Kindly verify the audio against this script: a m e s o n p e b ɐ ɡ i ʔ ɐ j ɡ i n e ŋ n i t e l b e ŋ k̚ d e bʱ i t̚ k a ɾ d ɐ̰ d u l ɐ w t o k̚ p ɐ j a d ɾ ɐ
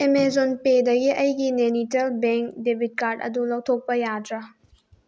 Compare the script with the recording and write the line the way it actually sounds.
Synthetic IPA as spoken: e m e z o n p e d ɐ ɡ i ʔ ɐ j ɡ i n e n i t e l b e ŋ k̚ d e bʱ i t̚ k a ɾ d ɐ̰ d u l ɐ w tʰ o k̚ p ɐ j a d ɾ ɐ